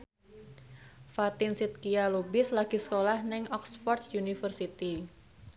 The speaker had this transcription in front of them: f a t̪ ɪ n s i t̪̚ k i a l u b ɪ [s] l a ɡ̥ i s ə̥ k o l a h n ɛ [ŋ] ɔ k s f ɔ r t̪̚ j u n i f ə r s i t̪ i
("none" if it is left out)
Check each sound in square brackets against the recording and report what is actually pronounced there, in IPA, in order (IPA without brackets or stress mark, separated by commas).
s, ŋ